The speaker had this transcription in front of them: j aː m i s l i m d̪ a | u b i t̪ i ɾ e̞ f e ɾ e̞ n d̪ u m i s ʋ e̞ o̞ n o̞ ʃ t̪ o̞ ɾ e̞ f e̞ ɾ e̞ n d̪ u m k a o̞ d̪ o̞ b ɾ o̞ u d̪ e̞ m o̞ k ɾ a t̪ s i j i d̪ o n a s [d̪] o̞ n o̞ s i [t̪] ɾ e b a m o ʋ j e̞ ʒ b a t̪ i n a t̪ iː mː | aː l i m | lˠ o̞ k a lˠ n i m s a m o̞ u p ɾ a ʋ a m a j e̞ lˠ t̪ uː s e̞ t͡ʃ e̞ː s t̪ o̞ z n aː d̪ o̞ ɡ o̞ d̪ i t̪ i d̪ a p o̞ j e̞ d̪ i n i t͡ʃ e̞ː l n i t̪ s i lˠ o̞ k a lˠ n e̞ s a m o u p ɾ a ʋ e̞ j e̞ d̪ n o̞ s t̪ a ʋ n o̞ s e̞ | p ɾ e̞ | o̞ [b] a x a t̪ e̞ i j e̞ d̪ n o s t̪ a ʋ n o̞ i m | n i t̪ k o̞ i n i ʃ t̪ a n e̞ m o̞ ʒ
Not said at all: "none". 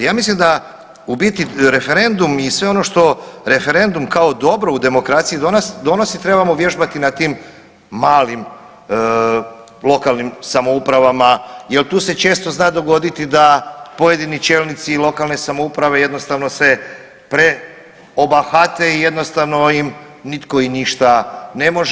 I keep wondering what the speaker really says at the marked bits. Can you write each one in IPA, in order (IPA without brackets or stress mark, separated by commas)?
d̪, t̪, b